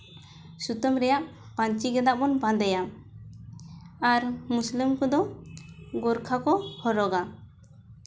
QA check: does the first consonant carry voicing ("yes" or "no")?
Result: no